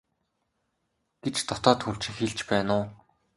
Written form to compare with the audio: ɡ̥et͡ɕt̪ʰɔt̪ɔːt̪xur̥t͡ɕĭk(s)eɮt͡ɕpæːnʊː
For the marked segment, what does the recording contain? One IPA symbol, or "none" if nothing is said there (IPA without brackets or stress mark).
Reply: x